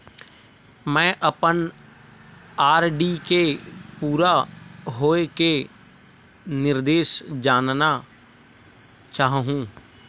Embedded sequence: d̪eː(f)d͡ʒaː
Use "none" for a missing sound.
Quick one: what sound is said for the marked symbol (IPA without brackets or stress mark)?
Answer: ʃ